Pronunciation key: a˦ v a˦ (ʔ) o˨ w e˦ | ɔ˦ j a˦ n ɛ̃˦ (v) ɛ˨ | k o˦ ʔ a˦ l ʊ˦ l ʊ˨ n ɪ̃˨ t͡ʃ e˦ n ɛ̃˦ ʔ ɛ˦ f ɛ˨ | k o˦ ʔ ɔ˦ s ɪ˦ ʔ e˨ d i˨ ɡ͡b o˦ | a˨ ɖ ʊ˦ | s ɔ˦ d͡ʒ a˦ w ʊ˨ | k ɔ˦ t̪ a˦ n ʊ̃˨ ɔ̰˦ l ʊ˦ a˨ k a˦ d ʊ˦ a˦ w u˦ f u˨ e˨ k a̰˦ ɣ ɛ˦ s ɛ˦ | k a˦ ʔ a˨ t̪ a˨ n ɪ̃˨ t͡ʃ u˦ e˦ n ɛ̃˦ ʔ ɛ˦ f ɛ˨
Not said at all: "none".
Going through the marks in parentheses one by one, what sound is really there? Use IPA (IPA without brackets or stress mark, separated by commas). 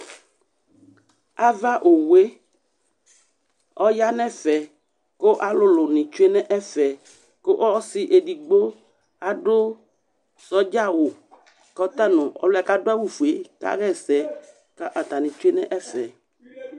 ʔ, f